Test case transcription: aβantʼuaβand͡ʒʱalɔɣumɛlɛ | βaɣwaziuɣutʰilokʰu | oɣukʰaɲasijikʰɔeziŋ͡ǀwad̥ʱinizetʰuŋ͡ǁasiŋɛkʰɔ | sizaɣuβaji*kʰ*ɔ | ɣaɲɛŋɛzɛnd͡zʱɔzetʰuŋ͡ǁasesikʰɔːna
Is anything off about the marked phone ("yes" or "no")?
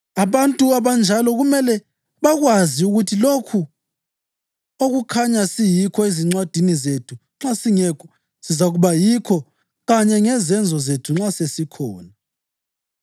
no